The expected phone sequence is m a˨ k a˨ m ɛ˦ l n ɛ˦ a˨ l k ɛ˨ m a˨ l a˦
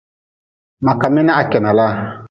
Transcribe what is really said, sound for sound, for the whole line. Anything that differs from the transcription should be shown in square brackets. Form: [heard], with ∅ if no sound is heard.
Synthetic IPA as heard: m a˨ k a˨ m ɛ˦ [∅] n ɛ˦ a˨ [∅] k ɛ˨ [n] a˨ l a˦